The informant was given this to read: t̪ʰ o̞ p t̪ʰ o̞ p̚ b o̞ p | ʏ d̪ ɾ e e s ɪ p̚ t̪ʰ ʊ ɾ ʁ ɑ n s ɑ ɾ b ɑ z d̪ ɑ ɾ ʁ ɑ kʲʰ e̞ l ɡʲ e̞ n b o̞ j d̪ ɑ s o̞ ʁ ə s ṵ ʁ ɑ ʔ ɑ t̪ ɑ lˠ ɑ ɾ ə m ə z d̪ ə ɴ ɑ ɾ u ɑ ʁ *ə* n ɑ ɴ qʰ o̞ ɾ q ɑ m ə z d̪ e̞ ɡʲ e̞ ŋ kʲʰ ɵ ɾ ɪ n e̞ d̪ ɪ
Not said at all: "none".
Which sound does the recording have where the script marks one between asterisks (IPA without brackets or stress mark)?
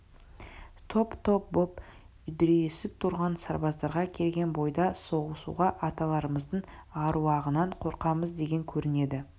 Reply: ə